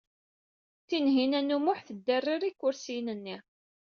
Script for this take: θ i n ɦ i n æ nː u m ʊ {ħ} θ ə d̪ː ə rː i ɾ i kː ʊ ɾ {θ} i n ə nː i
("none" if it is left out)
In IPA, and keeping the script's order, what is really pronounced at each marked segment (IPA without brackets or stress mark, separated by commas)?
ħ, s